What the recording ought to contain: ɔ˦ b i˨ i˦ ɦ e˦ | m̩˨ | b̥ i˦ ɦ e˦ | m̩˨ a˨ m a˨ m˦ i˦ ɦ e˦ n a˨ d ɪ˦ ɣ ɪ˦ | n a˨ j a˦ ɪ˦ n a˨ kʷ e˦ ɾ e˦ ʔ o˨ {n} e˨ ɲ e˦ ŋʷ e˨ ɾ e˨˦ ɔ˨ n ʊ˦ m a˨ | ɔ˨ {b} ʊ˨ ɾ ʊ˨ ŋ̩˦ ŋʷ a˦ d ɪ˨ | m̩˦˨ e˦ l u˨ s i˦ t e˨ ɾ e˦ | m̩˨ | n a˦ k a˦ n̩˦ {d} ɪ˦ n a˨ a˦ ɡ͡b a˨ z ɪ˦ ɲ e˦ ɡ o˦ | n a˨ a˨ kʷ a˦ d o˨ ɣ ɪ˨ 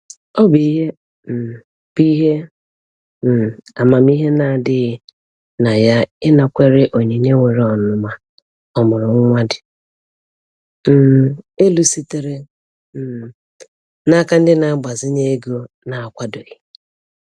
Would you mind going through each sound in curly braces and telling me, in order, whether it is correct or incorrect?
incorrect: ɲ, incorrect: m, correct

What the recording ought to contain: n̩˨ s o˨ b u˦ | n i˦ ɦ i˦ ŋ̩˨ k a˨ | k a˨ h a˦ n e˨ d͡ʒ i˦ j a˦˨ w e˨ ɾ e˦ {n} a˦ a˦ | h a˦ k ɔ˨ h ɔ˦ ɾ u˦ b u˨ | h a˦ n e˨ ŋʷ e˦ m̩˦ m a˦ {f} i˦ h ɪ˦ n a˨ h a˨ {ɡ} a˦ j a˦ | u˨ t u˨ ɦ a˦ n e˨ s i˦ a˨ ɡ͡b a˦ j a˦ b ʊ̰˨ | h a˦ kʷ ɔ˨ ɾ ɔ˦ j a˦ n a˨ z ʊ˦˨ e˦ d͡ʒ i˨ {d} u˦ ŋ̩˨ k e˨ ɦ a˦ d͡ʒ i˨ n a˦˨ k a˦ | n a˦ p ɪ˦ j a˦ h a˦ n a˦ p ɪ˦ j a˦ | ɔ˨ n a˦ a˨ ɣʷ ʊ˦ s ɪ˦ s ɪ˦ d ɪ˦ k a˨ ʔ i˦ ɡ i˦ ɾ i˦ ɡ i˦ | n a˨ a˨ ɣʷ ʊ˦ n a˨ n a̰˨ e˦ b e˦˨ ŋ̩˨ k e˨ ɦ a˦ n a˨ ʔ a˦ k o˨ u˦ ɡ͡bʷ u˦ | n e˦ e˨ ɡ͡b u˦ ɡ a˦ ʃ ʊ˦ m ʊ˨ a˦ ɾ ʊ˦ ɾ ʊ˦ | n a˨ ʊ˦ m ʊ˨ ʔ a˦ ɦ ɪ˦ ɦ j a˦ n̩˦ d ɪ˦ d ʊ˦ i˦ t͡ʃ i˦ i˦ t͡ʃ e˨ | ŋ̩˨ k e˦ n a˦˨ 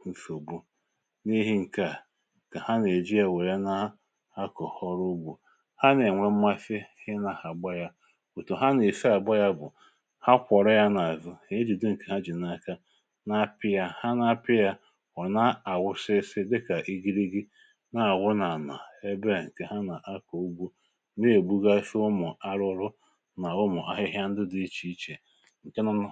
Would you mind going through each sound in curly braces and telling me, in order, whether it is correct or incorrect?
correct, correct, incorrect: ɡ͡b, correct

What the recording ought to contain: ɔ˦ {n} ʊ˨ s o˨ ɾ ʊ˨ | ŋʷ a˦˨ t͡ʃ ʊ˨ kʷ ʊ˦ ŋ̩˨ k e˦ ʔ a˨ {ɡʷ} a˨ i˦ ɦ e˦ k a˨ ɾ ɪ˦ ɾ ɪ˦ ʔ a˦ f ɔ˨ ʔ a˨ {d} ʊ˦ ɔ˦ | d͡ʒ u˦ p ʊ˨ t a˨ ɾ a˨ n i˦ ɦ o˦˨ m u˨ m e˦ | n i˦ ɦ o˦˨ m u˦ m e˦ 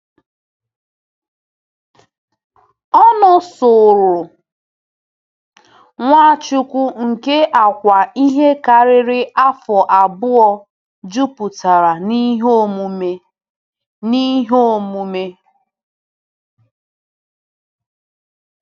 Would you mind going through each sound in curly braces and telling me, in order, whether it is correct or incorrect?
correct, incorrect: kʷ, incorrect: b

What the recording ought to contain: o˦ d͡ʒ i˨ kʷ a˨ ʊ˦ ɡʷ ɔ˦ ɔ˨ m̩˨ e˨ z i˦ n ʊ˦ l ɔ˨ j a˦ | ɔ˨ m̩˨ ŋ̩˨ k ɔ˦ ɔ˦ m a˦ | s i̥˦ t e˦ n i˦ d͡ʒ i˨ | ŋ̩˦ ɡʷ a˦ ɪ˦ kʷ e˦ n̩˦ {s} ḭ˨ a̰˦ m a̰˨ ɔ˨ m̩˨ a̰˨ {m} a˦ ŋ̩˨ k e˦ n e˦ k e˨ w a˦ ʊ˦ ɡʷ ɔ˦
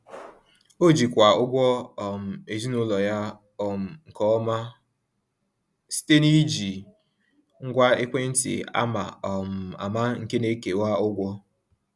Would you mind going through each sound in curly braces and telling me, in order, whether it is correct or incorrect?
incorrect: t, correct

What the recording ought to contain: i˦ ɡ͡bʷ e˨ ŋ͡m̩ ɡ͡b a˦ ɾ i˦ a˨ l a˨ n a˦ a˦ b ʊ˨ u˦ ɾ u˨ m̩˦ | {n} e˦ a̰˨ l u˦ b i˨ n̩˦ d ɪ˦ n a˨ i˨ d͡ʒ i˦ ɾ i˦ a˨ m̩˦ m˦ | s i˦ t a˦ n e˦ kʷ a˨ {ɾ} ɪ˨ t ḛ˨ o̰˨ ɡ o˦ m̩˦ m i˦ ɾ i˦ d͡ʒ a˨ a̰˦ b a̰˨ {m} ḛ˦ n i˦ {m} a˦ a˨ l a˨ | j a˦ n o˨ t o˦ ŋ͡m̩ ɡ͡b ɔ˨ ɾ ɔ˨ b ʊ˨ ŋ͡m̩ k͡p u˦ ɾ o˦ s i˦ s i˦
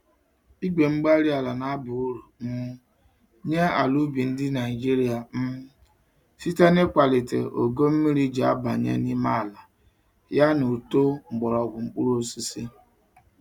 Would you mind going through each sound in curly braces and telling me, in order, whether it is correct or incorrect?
incorrect: ɲ, incorrect: l, incorrect: ɲ, correct

